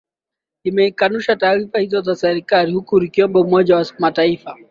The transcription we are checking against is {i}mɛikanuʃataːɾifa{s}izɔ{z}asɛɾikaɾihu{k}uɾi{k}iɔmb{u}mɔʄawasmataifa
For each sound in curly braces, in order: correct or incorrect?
correct, incorrect: h, correct, correct, correct, incorrect: ɔ

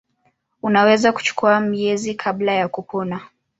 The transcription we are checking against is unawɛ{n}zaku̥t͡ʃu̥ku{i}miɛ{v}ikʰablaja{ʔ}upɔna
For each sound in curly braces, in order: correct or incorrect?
incorrect: none, incorrect: a, incorrect: z, incorrect: k

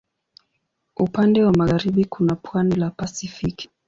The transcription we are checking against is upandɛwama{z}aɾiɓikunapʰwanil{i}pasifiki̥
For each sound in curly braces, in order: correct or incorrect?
incorrect: ɣ, incorrect: a

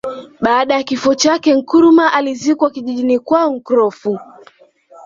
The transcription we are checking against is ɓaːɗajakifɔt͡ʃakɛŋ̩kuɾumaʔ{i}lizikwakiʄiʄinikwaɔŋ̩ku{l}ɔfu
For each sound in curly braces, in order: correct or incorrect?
incorrect: a, incorrect: ɾ

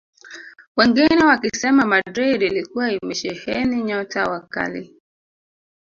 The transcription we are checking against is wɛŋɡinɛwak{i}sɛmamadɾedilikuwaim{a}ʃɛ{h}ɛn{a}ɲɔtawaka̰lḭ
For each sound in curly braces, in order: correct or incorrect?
correct, incorrect: ɛ, correct, incorrect: i

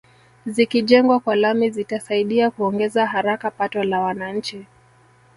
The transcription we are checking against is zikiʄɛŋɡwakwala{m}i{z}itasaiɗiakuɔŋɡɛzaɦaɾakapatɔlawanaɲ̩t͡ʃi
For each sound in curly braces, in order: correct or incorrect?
correct, correct

